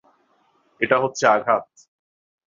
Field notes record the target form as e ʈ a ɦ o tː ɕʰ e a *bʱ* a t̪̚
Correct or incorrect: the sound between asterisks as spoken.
incorrect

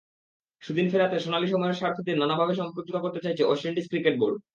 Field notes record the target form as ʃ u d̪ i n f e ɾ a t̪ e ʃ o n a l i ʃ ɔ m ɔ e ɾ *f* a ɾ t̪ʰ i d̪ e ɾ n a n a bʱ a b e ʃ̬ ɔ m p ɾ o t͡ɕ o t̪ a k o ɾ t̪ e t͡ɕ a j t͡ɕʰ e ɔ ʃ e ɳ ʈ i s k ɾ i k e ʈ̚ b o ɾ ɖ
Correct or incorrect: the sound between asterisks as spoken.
incorrect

